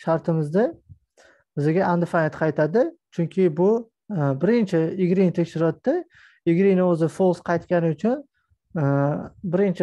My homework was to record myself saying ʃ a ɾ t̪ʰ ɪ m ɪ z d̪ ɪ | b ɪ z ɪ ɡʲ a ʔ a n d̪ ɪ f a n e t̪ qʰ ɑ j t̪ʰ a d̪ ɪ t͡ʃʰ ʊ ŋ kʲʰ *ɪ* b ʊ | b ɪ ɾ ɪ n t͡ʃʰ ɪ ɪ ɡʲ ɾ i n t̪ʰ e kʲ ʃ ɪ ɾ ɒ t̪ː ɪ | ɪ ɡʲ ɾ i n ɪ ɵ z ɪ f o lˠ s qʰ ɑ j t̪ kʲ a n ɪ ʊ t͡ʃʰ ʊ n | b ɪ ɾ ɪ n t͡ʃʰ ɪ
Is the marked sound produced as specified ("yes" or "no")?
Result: yes